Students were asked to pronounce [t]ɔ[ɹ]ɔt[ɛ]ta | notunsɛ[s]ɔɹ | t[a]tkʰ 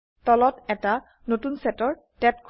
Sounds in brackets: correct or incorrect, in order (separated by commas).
correct, incorrect, correct, incorrect, incorrect